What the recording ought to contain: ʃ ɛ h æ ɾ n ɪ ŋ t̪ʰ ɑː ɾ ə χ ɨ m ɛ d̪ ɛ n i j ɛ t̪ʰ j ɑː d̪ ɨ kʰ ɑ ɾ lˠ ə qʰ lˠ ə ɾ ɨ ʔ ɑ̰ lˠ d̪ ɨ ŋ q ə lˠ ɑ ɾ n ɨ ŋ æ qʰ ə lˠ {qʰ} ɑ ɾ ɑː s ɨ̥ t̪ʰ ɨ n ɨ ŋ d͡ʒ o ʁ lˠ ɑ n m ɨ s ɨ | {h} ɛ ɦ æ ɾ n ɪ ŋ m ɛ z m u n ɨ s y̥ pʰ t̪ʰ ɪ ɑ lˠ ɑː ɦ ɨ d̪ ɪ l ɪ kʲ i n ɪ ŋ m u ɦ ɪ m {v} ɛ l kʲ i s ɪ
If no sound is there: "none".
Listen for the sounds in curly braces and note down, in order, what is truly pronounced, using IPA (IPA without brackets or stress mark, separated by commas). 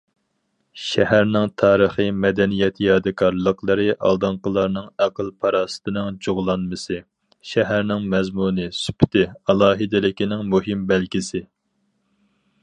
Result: pʰ, ʃ, b